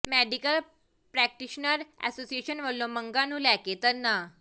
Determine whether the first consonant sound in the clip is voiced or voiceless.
voiced